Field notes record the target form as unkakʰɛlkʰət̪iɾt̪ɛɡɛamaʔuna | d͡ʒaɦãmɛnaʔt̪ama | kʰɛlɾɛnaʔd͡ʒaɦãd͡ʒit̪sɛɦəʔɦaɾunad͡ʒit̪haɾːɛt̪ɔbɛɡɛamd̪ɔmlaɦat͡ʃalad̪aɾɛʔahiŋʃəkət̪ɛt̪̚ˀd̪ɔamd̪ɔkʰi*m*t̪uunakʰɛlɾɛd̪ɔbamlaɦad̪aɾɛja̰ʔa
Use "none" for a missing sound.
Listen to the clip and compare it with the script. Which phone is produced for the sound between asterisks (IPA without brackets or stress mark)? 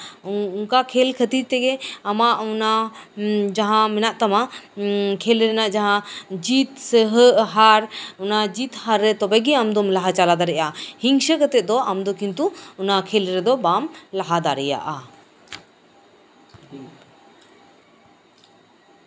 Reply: n